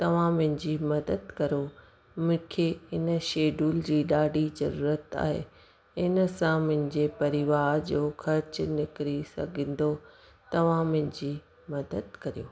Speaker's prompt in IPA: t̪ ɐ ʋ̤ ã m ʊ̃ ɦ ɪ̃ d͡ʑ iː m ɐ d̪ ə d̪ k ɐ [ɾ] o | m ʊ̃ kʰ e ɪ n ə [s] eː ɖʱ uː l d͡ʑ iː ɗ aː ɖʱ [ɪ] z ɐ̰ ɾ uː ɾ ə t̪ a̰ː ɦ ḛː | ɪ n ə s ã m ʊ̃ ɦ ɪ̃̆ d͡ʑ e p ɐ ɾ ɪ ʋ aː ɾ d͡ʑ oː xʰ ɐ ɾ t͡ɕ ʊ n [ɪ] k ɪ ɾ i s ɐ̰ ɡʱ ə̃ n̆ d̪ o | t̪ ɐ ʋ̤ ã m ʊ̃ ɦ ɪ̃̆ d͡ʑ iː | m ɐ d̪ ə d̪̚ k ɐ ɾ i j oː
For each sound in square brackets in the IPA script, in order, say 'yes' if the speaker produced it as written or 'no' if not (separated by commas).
yes, no, no, yes